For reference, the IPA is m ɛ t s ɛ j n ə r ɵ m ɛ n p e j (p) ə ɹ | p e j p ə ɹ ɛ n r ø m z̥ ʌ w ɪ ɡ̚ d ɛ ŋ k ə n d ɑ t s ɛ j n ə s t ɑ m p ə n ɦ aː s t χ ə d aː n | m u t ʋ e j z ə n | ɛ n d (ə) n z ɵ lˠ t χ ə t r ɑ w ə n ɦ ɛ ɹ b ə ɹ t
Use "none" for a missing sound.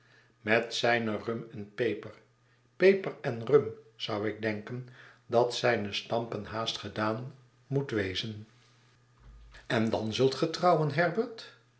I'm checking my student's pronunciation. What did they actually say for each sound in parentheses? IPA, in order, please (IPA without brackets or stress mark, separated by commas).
p, ɑ